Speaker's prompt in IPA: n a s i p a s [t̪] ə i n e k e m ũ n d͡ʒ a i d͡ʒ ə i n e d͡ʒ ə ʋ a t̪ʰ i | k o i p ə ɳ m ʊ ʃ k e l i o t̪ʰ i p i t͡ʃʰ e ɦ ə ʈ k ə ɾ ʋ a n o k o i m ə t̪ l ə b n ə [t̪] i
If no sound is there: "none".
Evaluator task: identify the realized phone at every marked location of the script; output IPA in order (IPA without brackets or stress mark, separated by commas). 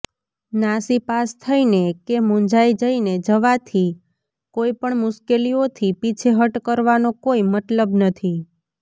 t̪ʰ, t̪ʰ